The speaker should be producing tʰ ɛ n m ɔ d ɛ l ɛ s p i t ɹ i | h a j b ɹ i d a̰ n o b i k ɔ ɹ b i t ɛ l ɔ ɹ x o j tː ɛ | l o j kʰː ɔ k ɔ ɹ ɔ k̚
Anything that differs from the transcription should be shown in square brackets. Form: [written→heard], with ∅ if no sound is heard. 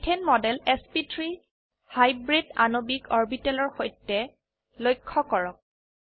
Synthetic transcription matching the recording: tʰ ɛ n m ɔ d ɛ l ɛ s p i t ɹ i | h a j b ɹ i d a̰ n o b i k ɔ ɹ b i t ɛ l ɔ ɹ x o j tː ɛ | l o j kʰː ɔ k ɔ ɹ ɔ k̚